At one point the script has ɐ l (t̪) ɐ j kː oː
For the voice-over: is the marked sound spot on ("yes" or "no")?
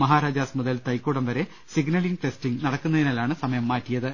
yes